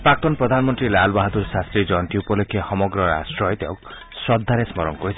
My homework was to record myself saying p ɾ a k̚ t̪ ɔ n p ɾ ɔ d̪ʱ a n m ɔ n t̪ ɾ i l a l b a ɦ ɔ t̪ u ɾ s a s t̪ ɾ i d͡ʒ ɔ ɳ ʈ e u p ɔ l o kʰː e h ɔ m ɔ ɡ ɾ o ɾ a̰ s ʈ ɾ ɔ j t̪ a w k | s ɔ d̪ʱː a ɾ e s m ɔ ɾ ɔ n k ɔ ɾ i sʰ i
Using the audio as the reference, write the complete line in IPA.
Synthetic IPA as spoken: p ɾ a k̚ t̪ ɔ n p ɾ ɔ d̪ʱ a n m ɔ n t̪ ɾ i l a l b a ɦ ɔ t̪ u ɾ s a s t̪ ɾ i d͡ʒ ɔ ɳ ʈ i u p ɔ l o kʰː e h ɔ m ɔ ɡ ɾ ɔ ɾ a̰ s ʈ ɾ ɔ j t̪ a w k | s ɔ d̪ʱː a ɾ e s m ɔ ɾ ɔ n k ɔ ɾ i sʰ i